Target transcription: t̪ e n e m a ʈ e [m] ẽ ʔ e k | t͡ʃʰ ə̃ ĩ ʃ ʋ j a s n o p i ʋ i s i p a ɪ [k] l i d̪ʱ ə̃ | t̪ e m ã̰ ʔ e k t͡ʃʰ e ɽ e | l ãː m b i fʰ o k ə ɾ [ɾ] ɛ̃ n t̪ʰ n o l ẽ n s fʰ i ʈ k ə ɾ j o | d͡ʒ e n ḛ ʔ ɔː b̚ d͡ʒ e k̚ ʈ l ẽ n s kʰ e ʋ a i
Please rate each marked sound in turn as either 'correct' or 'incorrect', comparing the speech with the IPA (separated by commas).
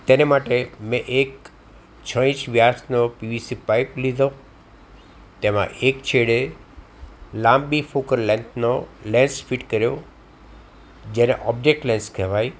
correct, incorrect, incorrect